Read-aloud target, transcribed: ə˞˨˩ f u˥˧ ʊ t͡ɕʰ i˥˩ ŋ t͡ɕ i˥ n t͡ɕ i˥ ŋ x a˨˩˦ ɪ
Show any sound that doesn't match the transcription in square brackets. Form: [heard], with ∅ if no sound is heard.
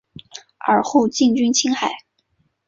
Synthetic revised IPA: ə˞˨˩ [x] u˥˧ ʊ [t͡ɕ] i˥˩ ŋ t͡ɕ [y˥] n [t͡ɕʰ] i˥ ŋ x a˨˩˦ ɪ

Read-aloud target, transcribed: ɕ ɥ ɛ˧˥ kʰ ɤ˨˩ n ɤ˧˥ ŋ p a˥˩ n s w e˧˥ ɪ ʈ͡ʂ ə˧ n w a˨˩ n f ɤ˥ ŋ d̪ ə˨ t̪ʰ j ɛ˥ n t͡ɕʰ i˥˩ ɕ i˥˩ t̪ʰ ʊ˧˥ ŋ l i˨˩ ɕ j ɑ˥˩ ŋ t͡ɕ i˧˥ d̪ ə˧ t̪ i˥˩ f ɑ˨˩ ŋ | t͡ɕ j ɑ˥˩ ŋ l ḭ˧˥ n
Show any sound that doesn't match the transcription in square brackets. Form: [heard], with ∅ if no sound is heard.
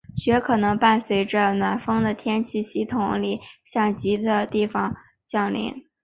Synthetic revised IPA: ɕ ɥ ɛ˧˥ kʰ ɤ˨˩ n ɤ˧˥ ŋ p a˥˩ n s w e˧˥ ɪ ʈ͡ʂ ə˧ n w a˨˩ n f ɤ˥ ŋ d̪ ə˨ t̪ʰ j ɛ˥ n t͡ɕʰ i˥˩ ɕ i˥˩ t̪ʰ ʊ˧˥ ŋ l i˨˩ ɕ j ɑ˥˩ ŋ t͡ɕ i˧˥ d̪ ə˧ t̪ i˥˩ f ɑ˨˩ ŋ | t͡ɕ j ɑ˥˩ ŋ l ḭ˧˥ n

